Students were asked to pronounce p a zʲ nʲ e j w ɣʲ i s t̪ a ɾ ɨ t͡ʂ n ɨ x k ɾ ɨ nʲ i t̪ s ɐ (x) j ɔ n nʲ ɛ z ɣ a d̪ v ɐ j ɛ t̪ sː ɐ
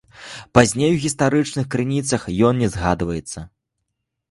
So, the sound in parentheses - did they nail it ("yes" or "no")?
yes